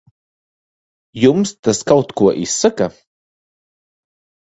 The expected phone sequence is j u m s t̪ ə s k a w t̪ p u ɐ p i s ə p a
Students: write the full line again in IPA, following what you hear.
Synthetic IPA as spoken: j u m s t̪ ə s k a w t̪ k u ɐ ʔ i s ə k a